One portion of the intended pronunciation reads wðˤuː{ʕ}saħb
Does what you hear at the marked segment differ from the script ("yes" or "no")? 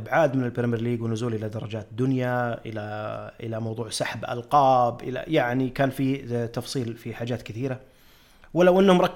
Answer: no